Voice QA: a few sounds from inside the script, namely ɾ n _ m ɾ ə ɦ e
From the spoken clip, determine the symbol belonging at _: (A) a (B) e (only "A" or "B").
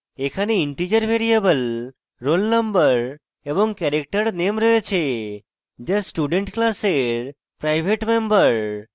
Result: B